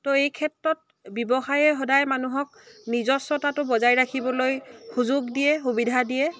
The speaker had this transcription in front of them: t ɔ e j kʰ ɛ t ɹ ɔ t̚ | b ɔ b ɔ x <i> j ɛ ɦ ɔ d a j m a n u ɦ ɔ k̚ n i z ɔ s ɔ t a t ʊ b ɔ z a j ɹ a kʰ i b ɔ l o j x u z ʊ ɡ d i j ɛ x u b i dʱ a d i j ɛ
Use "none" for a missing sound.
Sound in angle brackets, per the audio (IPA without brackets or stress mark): a